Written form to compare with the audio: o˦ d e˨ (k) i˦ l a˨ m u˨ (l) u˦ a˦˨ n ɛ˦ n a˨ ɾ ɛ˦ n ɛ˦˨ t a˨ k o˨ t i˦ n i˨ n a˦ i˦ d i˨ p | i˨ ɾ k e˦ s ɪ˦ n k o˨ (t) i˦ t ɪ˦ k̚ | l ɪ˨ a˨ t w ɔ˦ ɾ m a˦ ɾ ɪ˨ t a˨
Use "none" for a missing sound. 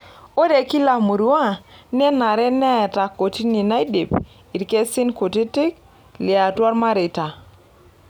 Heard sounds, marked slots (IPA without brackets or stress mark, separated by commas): k, ɾ, t